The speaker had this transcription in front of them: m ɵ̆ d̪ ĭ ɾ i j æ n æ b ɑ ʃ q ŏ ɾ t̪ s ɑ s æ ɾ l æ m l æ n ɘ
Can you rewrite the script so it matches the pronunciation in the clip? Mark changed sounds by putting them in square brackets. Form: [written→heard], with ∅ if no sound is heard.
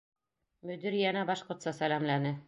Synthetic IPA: m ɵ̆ d̪ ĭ ɾ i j æ n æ b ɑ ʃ q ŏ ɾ t̪ s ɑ s æ [ɾ→∅] l æ m l æ n ɘ